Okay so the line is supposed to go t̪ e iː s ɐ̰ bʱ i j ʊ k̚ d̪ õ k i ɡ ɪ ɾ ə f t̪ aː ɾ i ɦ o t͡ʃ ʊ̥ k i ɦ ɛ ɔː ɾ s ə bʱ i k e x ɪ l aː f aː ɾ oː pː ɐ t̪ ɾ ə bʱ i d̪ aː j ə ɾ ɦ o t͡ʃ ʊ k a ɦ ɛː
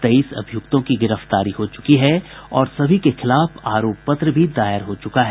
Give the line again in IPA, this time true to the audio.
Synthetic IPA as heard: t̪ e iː s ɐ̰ bʱ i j ʊ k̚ t̪ õ k i ɡ ɪ ɾ ə f t̪ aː ɾ i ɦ o t͡ʃ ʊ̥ k i ɦ ɛ ɔː ɾ s ɐ bʱ i k e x ɪ l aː f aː ɾ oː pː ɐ t̪ ɾ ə bʱ i d̪ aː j ə ɾ ɦ o t͡ʃ ʊ k a ɦ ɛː